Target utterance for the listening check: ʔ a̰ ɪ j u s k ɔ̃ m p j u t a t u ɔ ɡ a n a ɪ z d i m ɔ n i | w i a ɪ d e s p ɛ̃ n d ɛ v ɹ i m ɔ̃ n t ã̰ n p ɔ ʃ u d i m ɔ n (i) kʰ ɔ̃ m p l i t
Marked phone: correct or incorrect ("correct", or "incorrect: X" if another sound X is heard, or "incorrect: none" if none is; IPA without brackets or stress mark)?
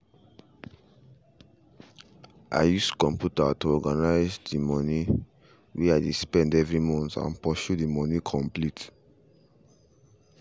correct